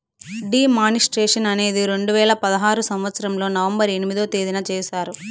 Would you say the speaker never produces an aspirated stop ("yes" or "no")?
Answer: yes